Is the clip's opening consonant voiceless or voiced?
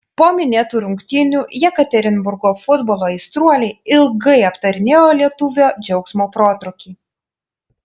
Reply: voiceless